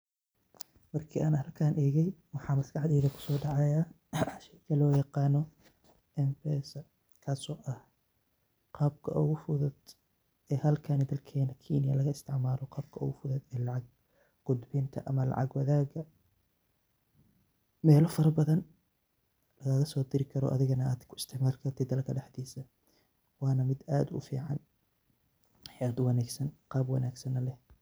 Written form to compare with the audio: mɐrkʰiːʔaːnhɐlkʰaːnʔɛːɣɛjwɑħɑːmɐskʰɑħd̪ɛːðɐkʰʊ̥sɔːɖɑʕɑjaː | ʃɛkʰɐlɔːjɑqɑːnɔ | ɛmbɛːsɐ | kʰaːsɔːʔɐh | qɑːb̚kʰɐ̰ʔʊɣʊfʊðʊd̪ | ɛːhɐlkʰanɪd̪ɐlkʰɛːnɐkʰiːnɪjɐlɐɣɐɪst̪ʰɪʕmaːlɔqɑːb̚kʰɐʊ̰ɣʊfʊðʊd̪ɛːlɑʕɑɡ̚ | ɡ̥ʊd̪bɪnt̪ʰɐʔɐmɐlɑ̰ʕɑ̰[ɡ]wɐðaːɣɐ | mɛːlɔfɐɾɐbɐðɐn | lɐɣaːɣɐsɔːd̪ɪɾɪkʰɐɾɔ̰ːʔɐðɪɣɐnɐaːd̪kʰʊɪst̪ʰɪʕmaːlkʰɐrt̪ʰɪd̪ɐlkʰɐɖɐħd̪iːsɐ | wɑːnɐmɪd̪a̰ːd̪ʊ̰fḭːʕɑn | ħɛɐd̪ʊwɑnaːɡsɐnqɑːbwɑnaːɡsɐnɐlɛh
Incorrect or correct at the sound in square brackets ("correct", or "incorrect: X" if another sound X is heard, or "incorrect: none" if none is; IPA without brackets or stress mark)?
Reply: correct